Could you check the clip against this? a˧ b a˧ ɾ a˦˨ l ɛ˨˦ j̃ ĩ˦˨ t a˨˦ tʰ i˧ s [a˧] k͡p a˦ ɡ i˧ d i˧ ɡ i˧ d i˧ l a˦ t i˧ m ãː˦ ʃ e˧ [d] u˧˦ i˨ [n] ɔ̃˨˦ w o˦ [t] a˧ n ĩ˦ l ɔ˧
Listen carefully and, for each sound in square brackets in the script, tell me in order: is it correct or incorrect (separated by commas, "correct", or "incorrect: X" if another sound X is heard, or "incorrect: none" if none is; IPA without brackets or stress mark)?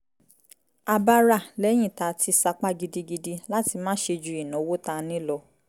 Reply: correct, incorrect: d͡ʒ, correct, correct